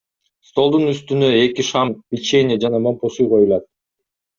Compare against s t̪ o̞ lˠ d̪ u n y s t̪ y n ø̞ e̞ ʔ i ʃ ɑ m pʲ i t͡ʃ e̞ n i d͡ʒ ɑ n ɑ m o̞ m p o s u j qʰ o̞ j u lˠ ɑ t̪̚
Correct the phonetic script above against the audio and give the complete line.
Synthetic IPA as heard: s t̪ o̞ lˠ d̪ u n y s t̪ y n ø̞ e̞ k i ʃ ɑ m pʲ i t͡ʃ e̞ n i d͡ʒ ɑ n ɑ m o̞ m p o s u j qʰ o̞ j u lˠ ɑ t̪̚